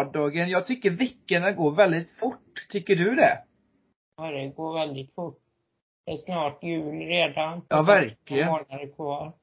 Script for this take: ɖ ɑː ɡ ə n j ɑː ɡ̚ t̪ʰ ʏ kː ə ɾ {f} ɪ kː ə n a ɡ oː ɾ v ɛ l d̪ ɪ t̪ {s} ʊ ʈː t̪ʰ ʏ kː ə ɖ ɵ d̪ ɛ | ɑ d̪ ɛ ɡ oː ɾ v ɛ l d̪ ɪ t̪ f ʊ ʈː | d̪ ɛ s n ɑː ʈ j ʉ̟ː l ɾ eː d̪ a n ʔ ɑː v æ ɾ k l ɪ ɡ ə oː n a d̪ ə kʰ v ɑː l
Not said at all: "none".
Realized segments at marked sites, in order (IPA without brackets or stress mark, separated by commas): v, f